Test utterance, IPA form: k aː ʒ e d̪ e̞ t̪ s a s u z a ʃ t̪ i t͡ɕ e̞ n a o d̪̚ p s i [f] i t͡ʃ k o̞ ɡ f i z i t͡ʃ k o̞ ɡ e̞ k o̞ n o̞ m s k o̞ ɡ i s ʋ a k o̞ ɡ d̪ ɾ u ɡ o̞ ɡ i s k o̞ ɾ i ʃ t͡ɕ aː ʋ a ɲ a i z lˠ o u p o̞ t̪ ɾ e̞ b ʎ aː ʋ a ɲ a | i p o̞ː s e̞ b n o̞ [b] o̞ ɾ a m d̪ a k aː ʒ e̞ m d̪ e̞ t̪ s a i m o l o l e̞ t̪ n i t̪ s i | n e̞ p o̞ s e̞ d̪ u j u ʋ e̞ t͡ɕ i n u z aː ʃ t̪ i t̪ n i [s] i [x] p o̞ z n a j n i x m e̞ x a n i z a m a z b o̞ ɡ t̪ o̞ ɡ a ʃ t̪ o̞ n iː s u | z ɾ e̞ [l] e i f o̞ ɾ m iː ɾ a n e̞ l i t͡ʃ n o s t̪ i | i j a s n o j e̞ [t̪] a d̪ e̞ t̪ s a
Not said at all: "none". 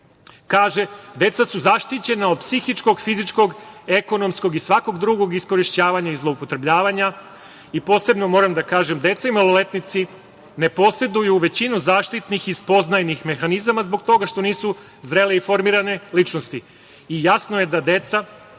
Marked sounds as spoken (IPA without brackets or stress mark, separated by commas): x, m, x, s, l, d̪